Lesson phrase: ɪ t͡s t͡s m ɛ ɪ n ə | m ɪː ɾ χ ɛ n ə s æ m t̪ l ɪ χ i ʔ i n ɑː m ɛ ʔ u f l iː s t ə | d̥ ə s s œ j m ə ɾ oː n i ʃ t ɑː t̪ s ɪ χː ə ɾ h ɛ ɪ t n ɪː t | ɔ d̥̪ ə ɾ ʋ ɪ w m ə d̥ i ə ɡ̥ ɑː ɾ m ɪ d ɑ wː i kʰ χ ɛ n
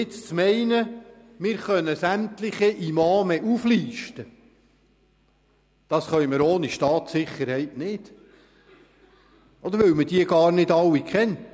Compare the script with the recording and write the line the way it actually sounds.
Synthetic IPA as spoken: ɪ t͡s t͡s m ɛ ɪ n ə | m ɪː ɾ χ œ n ə s æ m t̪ l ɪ χ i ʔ i m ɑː m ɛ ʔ u f l iː ʃ t ə | d̥ ɑ s χ œ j m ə ɾ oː n i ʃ t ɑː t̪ s ɪ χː ə ɾ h ɛ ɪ t n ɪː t | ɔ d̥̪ ə ɾ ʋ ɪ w m ə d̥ i ə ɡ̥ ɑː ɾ n ɪ d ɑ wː i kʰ χ ɛ n